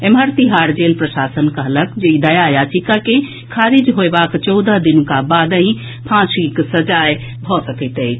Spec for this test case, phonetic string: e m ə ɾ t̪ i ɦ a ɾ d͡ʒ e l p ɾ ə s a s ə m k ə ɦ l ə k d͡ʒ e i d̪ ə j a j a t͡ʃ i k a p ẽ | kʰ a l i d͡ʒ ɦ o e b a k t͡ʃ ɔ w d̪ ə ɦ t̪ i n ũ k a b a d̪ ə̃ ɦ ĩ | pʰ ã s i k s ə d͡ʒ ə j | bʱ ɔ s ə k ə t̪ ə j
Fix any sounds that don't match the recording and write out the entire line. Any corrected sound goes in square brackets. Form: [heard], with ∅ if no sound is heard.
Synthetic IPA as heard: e m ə ɾ t̪ i ɦ a ɾ d͡ʒ e l p ɾ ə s a s ə [n] k ə ɦ l ə k d͡ʒ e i d̪ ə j a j a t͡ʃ i k a [k] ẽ | kʰ a [ɾ] i d͡ʒ ɦ o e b a k t͡ʃ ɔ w d̪ ə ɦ [d̪] i n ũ k a b a d̪ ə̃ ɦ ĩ | pʰ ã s i k s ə d͡ʒ [a] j | bʱ ɔ s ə k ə t̪ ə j